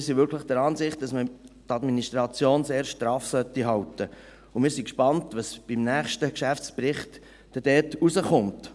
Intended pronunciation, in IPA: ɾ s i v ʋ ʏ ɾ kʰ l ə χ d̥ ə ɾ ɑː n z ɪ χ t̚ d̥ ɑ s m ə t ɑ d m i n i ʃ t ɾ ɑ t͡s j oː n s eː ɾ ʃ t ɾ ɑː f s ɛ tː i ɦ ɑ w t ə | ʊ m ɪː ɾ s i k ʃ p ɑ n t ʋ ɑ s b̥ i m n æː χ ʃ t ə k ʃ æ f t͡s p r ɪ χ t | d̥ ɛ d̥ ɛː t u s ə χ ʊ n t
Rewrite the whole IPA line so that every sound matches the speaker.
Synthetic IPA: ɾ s i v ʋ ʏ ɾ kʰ l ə χ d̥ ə ɾ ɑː n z ɪ χ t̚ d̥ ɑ s m ə t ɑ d m i n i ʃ t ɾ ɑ t͡s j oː n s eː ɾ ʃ t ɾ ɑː f s œ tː i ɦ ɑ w t ə | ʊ m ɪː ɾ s i k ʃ p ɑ n t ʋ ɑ s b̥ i m n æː χ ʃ t ə k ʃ æ f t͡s p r ɪ χ t | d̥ ɛ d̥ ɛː t u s ə χ ʊ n t